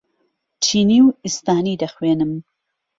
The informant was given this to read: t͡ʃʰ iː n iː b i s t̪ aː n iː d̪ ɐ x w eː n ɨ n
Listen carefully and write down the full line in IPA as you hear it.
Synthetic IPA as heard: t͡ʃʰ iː n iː w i s t̪ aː n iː d̪ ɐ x w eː n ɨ m